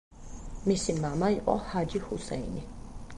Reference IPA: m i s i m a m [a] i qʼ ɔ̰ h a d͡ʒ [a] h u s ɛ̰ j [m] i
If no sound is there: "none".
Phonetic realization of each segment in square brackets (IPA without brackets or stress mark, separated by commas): a, i, n